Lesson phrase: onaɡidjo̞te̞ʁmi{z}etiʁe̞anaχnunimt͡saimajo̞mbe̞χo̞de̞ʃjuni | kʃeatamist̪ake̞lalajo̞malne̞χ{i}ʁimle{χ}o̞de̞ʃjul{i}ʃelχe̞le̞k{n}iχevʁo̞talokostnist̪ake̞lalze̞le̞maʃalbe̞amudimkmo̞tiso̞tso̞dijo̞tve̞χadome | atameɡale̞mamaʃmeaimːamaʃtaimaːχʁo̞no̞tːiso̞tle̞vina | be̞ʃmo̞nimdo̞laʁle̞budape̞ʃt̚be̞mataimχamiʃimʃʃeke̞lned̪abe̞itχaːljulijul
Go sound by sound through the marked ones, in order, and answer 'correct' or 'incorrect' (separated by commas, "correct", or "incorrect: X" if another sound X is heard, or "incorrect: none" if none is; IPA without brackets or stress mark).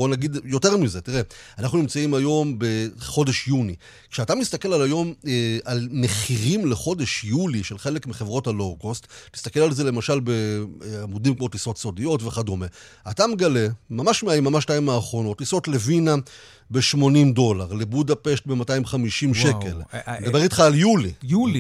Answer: correct, correct, correct, correct, incorrect: m